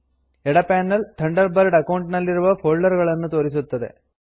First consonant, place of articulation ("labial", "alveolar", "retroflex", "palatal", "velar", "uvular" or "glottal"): retroflex